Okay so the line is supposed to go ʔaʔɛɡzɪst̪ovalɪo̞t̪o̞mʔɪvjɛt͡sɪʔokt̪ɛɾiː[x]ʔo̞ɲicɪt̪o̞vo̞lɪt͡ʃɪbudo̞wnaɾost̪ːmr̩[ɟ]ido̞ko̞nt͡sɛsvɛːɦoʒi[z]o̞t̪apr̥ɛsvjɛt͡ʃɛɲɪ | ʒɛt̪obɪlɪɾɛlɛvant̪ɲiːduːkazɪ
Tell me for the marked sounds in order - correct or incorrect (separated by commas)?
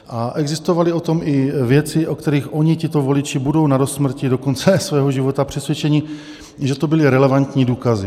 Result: correct, incorrect, incorrect